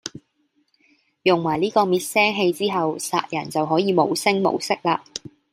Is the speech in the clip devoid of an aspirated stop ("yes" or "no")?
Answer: yes